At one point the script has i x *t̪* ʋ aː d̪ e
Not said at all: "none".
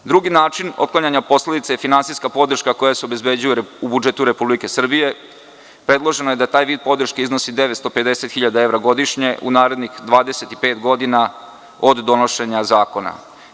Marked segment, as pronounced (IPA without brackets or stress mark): d̪